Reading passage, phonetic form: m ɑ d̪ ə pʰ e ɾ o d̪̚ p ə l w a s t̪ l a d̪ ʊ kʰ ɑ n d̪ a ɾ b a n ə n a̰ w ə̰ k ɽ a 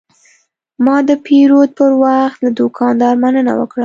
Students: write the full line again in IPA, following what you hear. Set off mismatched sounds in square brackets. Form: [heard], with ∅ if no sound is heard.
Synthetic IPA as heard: m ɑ d̪ ə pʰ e ɾ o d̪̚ p ə [ɾ] w a [x] t̪ l a d̪ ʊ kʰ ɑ n d̪ [ɑ] ɾ [m] a n ə n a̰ w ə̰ k ɽ a